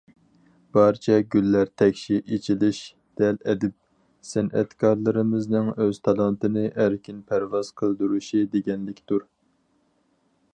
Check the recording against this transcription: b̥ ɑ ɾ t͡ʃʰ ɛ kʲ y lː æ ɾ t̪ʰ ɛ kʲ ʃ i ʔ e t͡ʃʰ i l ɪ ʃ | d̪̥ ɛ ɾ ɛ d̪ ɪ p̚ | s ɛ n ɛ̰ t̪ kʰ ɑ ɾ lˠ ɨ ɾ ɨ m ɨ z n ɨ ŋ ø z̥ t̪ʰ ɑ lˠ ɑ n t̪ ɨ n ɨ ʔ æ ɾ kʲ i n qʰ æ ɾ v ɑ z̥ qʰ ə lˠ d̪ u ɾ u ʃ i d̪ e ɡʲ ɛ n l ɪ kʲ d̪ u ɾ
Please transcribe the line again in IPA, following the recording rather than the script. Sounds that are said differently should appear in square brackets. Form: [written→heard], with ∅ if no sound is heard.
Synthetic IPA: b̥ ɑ ɾ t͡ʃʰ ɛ [kʲ→ɡʲ] y lː æ ɾ t̪ʰ ɛ kʲ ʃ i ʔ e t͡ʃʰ i l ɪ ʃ | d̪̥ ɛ [ɾ→l] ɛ d̪ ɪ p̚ | s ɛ n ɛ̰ t̪ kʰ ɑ ɾ lˠ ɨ ɾ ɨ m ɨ z n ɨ ŋ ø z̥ t̪ʰ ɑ lˠ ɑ n t̪ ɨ n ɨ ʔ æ ɾ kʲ i n [qʰ→pʰ] æ ɾ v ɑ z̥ qʰ ə lˠ d̪ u ɾ u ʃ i d̪ e ɡʲ ɛ n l ɪ kʲ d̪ u ɾ